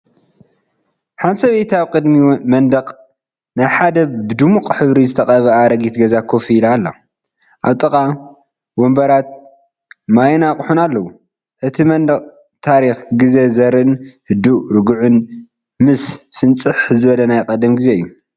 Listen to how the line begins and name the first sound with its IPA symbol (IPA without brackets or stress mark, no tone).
ħ